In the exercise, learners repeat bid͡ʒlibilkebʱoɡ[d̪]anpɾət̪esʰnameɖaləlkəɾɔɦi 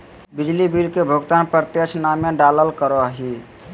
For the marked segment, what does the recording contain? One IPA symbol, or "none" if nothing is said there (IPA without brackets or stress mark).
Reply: t̪